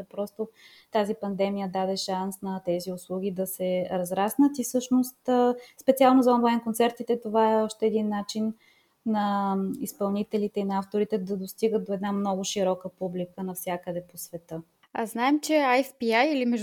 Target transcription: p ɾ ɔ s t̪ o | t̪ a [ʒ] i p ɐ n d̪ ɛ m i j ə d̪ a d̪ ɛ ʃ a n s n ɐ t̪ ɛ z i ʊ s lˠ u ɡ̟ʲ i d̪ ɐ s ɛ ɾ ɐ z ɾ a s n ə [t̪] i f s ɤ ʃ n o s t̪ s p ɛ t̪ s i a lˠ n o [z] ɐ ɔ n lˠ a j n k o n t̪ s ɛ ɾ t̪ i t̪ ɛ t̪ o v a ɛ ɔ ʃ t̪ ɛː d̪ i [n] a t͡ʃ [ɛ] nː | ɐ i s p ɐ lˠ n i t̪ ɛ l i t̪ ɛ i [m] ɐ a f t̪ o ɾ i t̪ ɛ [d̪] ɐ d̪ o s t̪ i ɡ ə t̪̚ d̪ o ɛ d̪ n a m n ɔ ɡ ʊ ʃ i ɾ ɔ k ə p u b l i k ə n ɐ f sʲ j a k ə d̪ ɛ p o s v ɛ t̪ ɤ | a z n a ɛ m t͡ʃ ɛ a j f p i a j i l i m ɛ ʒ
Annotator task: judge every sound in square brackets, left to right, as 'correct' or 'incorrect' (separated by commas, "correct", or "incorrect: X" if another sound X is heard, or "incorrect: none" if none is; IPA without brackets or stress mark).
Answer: incorrect: z, correct, correct, incorrect: nː, incorrect: i, incorrect: n, correct